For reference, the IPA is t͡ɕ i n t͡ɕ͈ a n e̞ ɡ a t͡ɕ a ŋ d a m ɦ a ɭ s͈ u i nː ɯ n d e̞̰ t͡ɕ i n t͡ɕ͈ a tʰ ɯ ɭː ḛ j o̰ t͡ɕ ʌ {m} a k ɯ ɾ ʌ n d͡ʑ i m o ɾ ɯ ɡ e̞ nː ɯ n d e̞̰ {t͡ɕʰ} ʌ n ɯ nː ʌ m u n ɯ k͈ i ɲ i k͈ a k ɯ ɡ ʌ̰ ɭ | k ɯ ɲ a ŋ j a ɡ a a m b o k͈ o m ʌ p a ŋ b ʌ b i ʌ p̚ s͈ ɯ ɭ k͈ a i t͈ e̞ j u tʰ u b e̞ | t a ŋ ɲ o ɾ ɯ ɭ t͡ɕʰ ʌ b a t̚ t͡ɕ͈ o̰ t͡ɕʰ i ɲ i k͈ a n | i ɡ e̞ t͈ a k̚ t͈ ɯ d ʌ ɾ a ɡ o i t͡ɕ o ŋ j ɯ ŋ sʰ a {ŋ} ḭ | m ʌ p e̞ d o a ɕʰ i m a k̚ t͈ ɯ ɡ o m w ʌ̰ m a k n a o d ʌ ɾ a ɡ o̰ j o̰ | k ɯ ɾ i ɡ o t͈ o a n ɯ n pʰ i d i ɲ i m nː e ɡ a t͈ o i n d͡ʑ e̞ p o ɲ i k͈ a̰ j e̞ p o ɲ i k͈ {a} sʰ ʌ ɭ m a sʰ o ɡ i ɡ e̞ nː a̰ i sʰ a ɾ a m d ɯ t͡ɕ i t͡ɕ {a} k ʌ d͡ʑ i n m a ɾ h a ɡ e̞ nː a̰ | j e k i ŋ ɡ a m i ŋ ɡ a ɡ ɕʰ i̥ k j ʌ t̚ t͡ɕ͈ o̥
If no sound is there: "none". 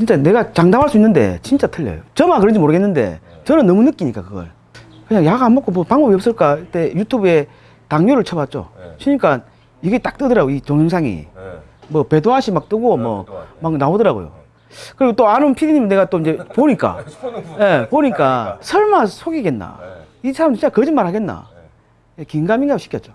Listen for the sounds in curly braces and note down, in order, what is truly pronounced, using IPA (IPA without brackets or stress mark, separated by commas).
m, t͡ɕ, ŋ, a, a